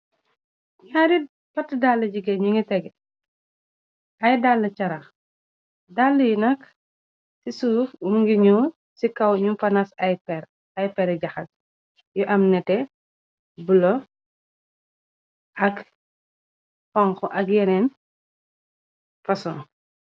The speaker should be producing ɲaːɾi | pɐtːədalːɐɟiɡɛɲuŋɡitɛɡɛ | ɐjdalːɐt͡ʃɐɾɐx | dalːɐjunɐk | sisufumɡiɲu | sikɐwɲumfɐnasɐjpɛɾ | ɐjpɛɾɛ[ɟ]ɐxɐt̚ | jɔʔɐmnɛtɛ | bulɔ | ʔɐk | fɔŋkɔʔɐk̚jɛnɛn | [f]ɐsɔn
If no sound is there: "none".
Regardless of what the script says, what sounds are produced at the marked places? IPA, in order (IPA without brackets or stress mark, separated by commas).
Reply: ɟ, f